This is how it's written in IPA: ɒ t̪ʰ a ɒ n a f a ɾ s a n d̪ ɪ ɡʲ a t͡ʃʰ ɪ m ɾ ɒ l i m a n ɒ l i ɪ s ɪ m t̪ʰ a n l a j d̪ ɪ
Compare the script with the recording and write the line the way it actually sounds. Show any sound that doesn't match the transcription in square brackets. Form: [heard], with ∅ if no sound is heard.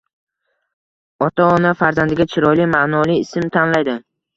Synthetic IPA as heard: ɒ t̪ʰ a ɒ n a f a ɾ [z] a n d̪ ɪ ɡʲ a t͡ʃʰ ɪ [∅] ɾ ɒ l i m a n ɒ l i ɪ s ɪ m t̪ʰ a n l a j d̪ ɪ